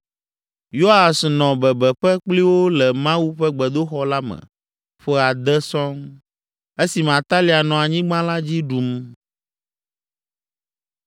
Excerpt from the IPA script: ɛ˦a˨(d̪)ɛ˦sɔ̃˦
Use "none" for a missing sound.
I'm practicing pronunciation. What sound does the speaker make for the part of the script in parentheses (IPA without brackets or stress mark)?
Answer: d̪